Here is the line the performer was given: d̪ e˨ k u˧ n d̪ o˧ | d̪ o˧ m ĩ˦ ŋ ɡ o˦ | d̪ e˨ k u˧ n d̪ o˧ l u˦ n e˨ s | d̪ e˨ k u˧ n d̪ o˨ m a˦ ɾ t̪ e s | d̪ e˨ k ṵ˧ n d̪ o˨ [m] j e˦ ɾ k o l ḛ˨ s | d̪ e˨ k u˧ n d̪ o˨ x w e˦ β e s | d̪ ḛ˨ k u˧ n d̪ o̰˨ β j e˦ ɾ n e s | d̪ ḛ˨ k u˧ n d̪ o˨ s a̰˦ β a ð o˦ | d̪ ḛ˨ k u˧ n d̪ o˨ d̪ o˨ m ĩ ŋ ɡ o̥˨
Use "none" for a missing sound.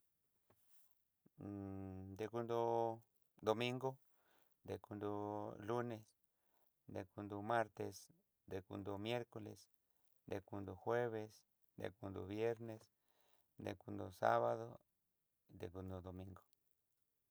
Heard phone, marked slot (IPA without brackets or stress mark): m